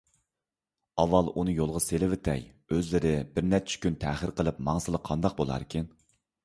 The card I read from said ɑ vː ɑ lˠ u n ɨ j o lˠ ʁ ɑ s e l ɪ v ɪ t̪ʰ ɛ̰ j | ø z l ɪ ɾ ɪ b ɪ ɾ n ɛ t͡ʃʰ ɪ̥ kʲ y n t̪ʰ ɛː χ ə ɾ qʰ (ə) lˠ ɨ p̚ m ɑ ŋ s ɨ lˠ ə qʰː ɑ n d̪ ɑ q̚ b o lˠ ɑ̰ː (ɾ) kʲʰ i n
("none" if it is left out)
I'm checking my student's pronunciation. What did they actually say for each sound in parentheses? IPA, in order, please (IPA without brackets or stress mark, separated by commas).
ə, ɾ